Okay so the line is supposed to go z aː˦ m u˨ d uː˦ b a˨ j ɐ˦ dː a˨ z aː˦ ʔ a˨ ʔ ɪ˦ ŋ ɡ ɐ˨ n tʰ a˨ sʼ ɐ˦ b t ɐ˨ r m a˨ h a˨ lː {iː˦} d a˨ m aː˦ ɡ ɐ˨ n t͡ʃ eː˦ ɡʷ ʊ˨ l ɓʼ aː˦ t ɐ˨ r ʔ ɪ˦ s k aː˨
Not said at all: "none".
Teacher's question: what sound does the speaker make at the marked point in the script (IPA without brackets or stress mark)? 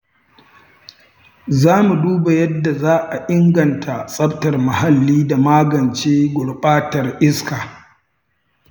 iː˦